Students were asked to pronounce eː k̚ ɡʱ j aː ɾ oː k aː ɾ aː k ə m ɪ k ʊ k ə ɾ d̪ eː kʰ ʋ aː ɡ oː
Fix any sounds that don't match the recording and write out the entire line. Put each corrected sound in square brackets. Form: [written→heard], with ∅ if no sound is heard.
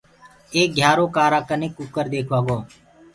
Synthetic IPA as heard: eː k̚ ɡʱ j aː ɾ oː k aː ɾ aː k ə [m→n] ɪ k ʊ k ə ɾ d̪ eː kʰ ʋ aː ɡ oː